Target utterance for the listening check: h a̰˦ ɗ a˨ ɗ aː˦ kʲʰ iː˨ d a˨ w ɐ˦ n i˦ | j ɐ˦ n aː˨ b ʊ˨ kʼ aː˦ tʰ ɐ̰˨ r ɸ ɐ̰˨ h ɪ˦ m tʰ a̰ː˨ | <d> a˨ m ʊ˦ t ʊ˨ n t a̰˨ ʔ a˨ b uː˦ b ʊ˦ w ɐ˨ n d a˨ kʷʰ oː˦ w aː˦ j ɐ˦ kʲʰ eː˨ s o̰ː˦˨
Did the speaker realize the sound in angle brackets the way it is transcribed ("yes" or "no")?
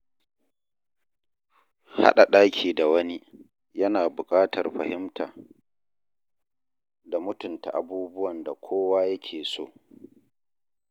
yes